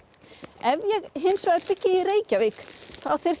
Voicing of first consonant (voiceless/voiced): voiced